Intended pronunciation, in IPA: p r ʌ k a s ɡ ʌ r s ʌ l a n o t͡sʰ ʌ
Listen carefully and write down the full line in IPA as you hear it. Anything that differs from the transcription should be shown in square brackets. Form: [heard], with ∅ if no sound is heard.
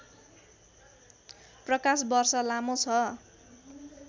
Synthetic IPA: p r ʌ k a s [b] ʌ r s ʌ l a [m] o t͡sʰ ʌ